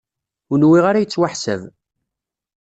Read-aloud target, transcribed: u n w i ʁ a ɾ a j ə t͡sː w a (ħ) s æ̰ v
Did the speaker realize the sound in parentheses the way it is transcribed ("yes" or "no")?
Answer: yes